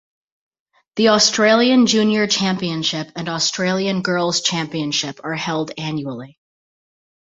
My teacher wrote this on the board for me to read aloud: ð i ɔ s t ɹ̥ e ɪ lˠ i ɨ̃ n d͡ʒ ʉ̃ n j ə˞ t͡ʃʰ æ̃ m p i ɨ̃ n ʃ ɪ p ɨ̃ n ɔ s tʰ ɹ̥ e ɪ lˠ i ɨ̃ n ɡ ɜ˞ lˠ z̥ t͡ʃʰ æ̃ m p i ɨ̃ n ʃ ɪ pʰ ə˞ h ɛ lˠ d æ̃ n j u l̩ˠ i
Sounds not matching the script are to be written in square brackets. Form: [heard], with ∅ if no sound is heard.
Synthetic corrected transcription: ð i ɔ s t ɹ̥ e ɪ lˠ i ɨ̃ n d͡ʒ ʉ̃ n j ə˞ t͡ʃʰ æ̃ m p i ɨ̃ n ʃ ɪ p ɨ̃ n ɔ s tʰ ɹ̥ e ɪ lˠ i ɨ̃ n ɡ ɜ˞ lˠ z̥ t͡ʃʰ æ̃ m p i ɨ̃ n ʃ ɪ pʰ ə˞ h ɛ lˠ d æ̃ n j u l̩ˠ i